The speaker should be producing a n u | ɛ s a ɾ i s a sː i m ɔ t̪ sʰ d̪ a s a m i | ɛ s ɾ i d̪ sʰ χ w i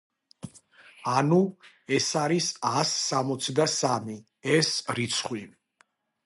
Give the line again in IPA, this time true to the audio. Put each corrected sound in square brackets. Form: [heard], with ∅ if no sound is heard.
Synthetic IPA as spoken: a n u | ɛ s a ɾ i s a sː [a] m ɔ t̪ sʰ d̪ a s a m i | ɛ s ɾ i [t̪] sʰ χ w i

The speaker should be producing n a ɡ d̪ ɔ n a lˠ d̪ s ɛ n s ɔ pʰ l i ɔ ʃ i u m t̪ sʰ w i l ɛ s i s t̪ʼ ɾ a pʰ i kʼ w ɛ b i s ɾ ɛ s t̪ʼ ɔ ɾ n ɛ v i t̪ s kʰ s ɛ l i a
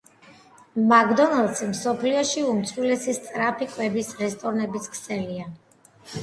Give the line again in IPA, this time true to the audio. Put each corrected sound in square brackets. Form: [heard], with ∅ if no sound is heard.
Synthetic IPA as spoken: [m] a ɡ d̪ ɔ n a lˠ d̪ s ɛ [m] s ɔ pʰ l i ɔ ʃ i u m t̪ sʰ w i l ɛ s i s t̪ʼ ɾ a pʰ i kʼ w ɛ b i s ɾ ɛ s t̪ʼ ɔ ɾ n ɛ [b] i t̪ s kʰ s ɛ l i a

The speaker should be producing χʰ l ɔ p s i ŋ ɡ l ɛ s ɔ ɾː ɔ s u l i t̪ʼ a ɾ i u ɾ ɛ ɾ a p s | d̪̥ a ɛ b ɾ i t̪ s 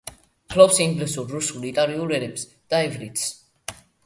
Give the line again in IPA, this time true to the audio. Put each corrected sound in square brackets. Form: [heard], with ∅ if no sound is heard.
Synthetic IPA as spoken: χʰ l ɔ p s i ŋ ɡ l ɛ s [u] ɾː [u] s u l i t̪ʼ a ɾ i u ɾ ɛ ɾ [ɛ] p s | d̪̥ a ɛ [v] ɾ i t̪ s

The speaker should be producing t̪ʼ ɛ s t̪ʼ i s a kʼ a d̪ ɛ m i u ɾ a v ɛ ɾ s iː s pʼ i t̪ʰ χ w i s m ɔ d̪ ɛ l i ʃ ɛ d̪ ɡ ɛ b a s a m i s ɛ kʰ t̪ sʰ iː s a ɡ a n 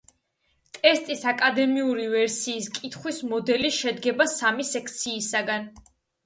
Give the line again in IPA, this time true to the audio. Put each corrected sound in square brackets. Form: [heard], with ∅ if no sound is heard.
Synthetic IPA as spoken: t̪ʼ ɛ s t̪ʼ i s a kʼ a d̪ ɛ m i u ɾ [i] v ɛ ɾ s iː s [kʼ] i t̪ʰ χ w i s m ɔ d̪ ɛ l i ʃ ɛ d̪ ɡ ɛ b a s a m i s ɛ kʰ t̪ sʰ iː s a ɡ a n

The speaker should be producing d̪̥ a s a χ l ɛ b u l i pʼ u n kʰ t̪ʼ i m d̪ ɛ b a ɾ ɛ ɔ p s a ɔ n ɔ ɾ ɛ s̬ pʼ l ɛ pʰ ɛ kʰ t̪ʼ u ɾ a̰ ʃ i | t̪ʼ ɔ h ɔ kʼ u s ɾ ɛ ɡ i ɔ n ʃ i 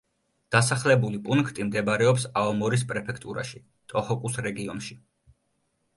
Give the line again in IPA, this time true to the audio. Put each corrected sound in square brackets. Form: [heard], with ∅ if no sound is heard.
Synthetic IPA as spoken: d̪̥ a s a χ l ɛ b u l i pʼ u n kʰ t̪ʼ i m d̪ ɛ b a ɾ ɛ ɔ p s a ɔ [m] ɔ ɾ [i] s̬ pʼ [ɾ] ɛ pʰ ɛ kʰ t̪ʼ u ɾ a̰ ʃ i | t̪ʼ ɔ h ɔ kʼ u s ɾ ɛ ɡ i ɔ n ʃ i

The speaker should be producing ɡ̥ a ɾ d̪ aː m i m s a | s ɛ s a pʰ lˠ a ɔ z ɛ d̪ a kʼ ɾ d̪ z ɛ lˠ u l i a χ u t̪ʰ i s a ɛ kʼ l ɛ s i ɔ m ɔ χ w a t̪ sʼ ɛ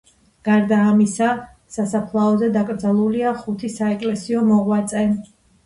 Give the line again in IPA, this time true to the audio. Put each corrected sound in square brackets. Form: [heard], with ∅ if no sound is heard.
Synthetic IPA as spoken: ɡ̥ a ɾ d̪ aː m i [∅] s a | s [a] s a pʰ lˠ a ɔ z ɛ d̪ a kʼ ɾ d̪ z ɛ lˠ u l i a χ u t̪ʰ i s a ɛ kʼ l ɛ s i ɔ m ɔ [ʁ] w a t̪ sʼ ɛ

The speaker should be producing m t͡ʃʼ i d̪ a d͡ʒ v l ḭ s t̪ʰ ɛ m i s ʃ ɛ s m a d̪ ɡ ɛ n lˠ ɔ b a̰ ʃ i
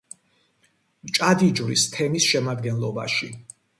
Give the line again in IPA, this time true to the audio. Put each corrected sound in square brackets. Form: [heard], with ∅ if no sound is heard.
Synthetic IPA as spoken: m t͡ʃʼ [a] d̪ [i] d͡ʒ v [ɾ] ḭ s t̪ʰ ɛ m i s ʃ ɛ [∅] m a d̪ ɡ ɛ n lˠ ɔ b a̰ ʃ i

